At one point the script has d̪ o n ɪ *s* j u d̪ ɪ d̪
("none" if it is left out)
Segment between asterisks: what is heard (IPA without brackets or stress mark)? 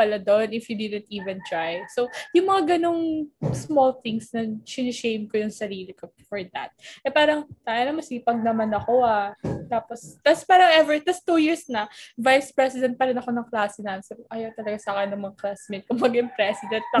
f